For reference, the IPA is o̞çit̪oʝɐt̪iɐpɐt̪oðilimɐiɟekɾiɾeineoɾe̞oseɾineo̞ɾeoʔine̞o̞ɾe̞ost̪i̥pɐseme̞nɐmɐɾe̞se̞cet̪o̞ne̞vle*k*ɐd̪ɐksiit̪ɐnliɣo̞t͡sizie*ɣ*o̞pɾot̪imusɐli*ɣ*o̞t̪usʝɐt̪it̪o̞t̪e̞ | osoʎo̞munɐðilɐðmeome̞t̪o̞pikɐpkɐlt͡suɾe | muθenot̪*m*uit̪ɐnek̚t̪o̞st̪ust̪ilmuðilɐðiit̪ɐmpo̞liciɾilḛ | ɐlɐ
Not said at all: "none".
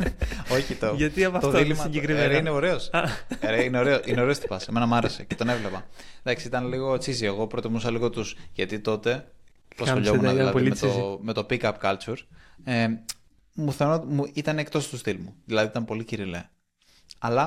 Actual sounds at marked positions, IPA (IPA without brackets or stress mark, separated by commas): p, ɣ, ɣ, m